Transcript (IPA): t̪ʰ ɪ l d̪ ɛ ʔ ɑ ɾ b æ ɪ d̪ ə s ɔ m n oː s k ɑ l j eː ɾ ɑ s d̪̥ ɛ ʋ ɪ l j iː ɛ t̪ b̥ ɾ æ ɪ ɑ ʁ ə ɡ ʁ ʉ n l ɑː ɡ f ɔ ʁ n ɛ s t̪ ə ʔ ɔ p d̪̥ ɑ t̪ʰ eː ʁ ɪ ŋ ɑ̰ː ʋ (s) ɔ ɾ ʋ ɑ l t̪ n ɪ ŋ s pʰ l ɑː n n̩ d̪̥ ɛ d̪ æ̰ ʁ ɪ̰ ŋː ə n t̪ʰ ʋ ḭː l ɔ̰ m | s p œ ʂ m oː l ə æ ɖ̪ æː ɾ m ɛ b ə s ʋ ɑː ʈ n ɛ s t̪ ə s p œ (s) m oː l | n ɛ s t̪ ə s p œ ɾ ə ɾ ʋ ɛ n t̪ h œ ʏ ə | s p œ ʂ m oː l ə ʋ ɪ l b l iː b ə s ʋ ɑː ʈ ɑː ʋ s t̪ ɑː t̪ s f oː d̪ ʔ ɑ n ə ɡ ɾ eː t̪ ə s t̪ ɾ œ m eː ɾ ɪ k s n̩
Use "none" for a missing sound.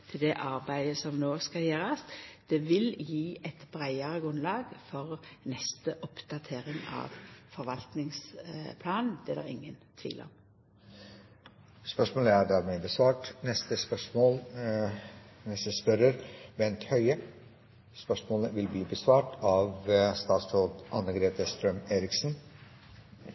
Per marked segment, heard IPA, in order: f, ʂ

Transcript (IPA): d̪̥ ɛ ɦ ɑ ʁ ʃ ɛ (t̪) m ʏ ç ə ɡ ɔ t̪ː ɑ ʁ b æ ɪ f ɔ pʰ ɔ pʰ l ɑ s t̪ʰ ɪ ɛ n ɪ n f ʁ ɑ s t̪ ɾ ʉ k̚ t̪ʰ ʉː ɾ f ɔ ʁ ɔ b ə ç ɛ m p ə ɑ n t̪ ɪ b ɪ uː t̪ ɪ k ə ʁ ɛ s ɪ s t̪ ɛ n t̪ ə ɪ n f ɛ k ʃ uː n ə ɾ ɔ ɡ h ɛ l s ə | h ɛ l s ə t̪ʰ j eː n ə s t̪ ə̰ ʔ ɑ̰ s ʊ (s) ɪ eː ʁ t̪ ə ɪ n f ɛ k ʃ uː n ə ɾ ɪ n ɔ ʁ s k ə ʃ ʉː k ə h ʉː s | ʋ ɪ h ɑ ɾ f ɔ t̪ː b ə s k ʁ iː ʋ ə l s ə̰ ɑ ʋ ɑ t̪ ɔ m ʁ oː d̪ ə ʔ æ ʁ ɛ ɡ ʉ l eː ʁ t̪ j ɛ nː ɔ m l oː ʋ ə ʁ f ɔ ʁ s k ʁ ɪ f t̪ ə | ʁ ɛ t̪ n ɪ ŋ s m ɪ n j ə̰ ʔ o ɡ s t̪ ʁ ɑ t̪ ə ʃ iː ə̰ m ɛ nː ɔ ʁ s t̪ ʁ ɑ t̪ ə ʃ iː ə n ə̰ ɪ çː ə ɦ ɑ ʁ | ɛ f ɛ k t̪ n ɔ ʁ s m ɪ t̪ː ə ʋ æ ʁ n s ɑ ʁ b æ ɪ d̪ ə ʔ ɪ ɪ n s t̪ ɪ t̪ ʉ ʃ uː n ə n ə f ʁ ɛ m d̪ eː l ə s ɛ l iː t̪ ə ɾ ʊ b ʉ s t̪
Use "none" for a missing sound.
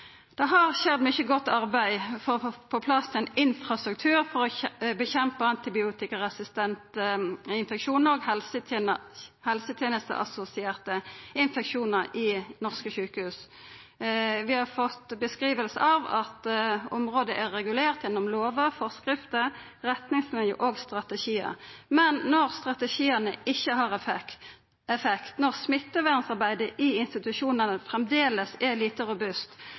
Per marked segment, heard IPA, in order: d̪, s

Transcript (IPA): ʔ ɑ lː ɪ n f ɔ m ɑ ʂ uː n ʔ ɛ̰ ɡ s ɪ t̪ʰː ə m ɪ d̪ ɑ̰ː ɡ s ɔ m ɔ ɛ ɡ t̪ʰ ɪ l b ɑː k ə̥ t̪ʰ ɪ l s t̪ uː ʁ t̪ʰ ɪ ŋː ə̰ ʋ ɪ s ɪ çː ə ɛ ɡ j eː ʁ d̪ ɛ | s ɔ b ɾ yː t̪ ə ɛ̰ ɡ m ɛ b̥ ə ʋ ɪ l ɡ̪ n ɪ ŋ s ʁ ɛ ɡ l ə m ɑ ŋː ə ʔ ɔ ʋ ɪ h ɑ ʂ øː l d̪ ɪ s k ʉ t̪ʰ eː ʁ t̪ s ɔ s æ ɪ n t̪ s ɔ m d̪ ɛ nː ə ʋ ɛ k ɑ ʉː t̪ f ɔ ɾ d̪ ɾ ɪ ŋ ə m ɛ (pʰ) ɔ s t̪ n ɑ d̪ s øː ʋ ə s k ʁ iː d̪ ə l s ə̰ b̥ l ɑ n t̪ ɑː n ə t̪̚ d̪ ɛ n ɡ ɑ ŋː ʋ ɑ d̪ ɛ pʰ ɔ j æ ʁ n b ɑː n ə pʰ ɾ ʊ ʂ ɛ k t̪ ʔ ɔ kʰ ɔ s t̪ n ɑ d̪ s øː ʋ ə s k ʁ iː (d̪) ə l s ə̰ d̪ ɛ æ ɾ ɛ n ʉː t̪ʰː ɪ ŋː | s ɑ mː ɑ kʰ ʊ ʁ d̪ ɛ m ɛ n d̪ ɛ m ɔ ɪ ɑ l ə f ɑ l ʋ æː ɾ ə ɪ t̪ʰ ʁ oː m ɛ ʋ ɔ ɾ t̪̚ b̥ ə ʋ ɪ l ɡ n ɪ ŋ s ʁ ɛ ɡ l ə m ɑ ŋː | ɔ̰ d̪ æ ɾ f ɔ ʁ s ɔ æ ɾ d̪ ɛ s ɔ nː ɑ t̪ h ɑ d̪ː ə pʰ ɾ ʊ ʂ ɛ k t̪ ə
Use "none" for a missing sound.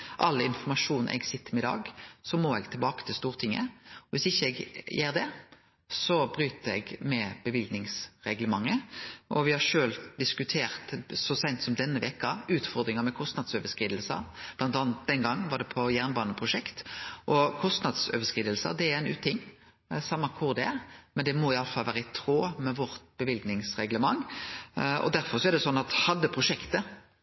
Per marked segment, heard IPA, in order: kʰ, d̪

